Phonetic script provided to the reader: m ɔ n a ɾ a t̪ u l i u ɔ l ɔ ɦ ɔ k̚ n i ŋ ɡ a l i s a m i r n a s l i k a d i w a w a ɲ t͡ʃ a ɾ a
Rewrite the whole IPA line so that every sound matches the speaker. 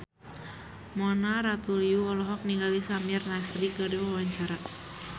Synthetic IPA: m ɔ n a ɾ a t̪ u l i u ɔ l ɔ ɦ ɔ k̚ n i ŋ ɡ a l i s a m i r n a s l i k a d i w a w a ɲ t͡ʃ a ɾ a